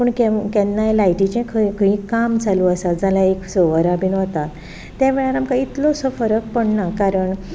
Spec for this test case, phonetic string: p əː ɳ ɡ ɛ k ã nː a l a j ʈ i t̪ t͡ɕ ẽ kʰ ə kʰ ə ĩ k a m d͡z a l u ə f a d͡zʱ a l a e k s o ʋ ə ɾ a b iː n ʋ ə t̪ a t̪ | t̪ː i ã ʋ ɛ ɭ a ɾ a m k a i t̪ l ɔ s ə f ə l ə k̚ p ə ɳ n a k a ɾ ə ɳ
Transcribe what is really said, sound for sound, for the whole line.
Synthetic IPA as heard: p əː ɳ k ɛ k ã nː a l a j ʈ i t͡ɕ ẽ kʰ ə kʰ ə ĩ k a m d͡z a l u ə s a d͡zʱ a l a e k s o ʋ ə ɾ a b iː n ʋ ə t̪ a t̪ | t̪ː j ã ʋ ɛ ɭ a ɾ a m k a i t̪ l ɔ s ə f ə ɾ ə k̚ p ə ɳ n a k a ɾ ə ɳ

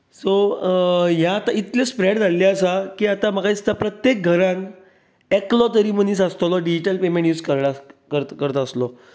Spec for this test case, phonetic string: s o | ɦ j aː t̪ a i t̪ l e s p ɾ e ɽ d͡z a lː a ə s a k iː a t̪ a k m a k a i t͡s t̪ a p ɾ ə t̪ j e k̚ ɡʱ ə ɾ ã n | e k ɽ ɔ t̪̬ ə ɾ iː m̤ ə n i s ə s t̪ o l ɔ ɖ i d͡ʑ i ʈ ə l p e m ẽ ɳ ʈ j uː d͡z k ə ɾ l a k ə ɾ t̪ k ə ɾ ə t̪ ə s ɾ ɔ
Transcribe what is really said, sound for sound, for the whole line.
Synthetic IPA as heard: s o | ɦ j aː t̪ a i t̪ l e s p ɾ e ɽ d͡z a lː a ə s a k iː a t̪ a m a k a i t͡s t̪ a p ɾ ə t̪ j e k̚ ɡʱ ə ɾ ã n | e k l ɔ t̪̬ ə ɾ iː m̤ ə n i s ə s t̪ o l ɔ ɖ i d͡ʑ i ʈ ə l p e m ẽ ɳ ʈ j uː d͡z k ə ɾ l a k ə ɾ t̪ k ə ɾ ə t̪ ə s l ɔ

